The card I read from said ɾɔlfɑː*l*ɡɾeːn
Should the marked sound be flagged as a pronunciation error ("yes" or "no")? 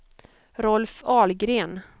no